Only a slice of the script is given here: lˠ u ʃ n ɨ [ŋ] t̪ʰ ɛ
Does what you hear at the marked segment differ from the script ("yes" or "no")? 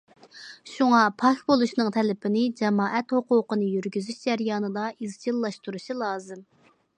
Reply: no